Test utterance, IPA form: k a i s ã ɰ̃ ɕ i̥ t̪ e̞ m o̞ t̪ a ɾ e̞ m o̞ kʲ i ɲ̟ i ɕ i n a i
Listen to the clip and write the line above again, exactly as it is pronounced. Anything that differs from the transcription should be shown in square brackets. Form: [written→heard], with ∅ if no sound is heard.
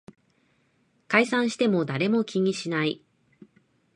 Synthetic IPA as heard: k a i s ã ɰ̃ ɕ i̥ t̪ e̞ m o̞ [t̪→d̪] a ɾ e̞ m o̞ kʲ i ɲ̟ i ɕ i n a i

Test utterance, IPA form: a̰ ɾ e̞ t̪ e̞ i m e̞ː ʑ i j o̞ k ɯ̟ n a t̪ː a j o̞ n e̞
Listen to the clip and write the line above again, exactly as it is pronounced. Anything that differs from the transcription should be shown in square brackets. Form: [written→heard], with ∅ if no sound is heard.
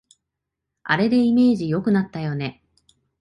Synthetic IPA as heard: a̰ ɾ e̞ [t̪→d̪] e̞ i m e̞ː ʑ i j o̞ k ɯ̟ n a t̪ː a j o̞ n e̞

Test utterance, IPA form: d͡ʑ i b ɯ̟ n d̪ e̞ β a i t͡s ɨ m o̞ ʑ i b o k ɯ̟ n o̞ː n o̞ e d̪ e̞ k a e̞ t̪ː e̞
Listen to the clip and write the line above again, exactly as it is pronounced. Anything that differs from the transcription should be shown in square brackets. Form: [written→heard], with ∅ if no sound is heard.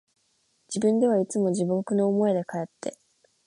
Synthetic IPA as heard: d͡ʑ i b [ɯ̟→ɯ̟̃] n d̪ e̞ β a i t͡s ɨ m o̞ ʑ i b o k ɯ̟ n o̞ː [n→m] o̞ e d̪ e̞ k a e̞ t̪ː e̞

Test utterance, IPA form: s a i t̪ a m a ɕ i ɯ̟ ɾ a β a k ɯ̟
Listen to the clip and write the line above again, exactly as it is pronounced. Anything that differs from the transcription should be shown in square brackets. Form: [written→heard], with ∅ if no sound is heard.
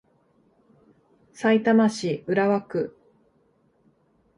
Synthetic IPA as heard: s a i t̪ a m a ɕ i ɯ̟ ɾ a β a k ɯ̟

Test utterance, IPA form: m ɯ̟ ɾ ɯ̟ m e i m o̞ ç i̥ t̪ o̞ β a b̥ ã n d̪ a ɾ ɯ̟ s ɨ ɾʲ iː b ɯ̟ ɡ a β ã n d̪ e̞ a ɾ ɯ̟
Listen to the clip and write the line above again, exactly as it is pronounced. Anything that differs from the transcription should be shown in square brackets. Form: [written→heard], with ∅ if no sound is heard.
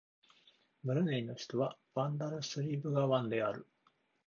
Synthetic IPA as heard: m ɯ̟ ɾ ɯ̟ [m→n] e i [m→n] o̞ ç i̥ t̪ o̞ β a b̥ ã n d̪ a ɾ ɯ̟ s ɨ ɾʲ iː b ɯ̟ ɡ a β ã n d̪ e̞ a ɾ ɯ̟

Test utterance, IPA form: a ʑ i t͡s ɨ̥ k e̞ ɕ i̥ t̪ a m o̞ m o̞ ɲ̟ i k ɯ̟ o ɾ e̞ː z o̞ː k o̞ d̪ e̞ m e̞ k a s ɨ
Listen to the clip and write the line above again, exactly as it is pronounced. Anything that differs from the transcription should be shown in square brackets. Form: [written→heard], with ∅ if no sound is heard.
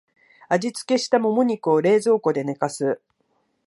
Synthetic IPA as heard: a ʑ i t͡s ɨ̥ k e̞ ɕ i̥ t̪ a m o̞ m o̞ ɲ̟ i k ɯ̟ o ɾ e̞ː z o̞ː k o̞ d̪ e̞ [m→n] e̞ k a s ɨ

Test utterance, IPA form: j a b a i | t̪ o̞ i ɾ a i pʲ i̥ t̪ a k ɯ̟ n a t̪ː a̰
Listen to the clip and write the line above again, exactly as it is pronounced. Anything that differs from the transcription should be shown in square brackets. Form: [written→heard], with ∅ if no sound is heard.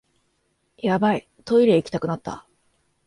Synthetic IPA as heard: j a b a i | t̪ o̞ i ɾ [a→e] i [pʲ→kʲ] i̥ t̪ a k ɯ̟ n a t̪ː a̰

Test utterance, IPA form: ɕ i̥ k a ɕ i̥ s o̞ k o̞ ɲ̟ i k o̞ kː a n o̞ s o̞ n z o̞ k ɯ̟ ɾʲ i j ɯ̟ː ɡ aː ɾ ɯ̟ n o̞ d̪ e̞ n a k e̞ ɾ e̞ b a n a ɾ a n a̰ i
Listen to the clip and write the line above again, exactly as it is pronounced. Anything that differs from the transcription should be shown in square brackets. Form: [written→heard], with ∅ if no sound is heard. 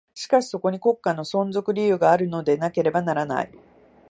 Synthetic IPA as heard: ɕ i̥ k a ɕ i̥ s o̞ k o̞ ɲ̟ i k o̞ kː a n o̞ s [o̞→õ̞] n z o̞ k ɯ̟ ɾʲ i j ɯ̟ː ɡ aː ɾ ɯ̟ n o̞ d̪ e̞ n a k e̞ ɾ e̞ b a n a ɾ a n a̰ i

